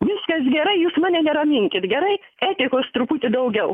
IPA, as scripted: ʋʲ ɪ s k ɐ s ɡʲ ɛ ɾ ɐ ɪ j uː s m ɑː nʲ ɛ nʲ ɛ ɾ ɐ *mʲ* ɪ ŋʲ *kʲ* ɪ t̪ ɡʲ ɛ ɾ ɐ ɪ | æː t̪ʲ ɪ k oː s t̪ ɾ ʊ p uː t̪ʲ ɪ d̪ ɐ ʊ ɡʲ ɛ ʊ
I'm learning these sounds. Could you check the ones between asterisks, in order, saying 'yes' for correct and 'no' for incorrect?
yes, yes

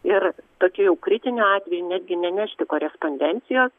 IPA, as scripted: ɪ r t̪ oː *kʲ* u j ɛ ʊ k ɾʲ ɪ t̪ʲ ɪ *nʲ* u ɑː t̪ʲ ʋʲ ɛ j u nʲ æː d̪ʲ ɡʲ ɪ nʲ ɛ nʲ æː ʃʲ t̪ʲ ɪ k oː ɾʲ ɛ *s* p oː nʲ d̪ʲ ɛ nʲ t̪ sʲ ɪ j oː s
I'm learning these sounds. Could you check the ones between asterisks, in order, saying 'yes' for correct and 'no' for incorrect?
yes, yes, yes

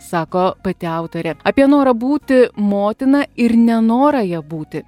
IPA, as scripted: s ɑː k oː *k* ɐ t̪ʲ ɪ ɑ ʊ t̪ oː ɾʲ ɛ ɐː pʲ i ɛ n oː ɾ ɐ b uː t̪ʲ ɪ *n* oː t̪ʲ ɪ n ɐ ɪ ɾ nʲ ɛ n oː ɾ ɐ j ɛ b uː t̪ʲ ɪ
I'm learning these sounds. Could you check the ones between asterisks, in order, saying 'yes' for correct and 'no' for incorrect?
no, no

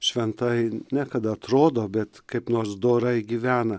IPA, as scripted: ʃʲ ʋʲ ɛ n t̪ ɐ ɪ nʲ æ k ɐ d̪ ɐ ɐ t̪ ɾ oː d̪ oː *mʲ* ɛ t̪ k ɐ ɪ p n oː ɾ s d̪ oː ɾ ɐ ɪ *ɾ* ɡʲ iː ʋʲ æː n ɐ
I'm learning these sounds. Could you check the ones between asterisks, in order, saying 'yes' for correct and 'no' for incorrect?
no, no

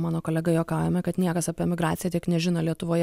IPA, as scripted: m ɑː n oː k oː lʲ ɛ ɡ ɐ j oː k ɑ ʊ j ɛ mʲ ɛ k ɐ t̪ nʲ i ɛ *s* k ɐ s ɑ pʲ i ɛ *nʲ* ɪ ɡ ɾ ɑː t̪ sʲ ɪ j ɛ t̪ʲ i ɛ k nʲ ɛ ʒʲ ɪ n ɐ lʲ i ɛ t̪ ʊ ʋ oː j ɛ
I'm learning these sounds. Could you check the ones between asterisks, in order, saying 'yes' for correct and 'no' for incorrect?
no, no

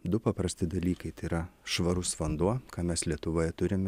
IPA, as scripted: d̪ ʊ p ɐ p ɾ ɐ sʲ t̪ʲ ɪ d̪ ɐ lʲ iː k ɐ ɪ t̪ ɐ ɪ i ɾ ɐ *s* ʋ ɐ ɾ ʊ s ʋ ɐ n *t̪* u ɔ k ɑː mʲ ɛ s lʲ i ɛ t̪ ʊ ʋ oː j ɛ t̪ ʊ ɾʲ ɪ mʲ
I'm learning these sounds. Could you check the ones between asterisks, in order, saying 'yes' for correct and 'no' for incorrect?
no, no

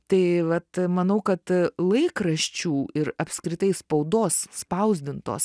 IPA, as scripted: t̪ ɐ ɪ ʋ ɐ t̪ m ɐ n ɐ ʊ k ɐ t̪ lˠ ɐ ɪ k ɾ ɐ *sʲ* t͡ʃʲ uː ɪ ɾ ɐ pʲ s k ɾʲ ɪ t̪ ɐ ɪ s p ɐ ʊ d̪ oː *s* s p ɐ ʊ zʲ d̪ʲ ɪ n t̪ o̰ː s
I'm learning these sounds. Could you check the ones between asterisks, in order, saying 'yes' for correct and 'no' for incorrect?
no, yes

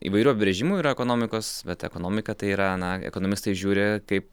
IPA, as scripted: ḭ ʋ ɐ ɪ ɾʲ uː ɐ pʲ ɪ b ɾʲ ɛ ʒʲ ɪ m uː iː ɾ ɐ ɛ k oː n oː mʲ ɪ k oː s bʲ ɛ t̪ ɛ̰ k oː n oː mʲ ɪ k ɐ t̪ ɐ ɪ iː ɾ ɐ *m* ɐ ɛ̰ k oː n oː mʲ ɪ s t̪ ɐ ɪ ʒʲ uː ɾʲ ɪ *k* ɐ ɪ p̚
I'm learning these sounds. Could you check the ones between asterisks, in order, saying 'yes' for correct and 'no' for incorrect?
no, yes

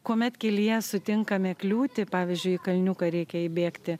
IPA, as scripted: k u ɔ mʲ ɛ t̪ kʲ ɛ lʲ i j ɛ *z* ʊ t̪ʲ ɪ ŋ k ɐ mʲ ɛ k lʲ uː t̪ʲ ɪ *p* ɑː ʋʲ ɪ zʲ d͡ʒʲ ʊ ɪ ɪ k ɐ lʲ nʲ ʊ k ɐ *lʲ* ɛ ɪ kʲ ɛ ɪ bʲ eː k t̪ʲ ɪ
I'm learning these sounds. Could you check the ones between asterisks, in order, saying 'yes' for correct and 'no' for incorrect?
no, yes, no

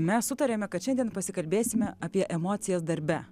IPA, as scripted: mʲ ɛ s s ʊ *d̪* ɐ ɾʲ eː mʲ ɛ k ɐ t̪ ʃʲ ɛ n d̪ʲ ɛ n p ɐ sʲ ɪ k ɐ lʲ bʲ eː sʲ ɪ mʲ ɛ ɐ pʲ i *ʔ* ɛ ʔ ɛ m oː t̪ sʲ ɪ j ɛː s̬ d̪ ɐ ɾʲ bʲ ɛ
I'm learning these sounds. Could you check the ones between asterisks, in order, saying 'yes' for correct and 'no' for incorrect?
no, no

